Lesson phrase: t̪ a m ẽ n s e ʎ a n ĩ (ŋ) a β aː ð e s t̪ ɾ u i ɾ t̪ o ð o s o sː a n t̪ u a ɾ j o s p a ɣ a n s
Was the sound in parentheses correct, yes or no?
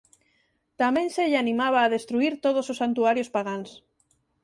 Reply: no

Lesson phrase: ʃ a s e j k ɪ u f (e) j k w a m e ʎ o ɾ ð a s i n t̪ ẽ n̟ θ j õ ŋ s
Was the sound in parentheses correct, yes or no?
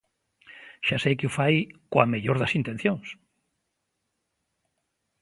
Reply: no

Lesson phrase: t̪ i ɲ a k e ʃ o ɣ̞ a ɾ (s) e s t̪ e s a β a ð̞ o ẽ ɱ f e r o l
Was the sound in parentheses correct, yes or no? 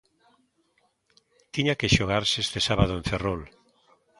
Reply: yes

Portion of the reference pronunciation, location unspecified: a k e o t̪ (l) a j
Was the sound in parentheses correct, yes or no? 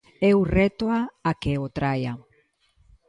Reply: no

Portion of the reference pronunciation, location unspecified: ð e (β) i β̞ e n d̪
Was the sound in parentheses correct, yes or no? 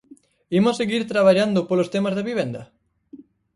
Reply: yes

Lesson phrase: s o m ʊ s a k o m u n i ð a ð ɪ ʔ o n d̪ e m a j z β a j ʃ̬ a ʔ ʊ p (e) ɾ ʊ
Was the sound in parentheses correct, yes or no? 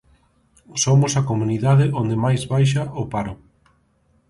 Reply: no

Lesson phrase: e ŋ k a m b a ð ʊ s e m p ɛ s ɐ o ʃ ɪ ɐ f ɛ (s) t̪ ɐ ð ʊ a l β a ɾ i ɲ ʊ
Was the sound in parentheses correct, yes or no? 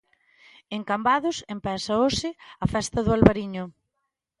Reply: yes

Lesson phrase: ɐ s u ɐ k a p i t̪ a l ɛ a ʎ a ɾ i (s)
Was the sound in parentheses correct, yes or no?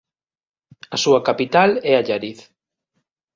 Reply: no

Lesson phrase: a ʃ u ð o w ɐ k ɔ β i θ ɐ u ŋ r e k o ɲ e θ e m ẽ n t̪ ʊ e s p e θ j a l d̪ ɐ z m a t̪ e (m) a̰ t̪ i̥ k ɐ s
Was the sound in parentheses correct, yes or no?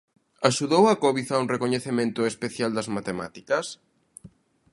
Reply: yes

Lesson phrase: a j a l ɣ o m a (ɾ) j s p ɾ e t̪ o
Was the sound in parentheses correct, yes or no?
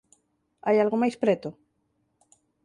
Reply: no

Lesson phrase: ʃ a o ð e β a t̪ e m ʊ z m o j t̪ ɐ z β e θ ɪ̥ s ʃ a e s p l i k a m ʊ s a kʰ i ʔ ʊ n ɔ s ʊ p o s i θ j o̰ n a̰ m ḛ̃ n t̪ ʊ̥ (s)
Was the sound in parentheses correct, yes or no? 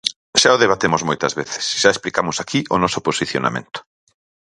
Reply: no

